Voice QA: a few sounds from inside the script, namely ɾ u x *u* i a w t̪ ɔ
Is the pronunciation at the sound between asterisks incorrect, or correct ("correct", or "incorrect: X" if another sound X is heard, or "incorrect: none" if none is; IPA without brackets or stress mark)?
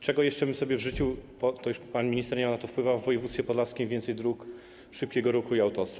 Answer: correct